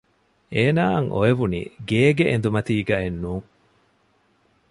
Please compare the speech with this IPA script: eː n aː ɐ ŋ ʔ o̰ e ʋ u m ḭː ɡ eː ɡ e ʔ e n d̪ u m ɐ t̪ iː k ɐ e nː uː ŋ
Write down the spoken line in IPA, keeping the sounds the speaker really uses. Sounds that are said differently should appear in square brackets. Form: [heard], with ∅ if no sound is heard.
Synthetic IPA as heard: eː n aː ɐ ŋ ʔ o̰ e ʋ u [n] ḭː ɡ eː ɡ e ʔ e n d̪ u m ɐ t̪ iː [ɡ] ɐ e nː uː ŋ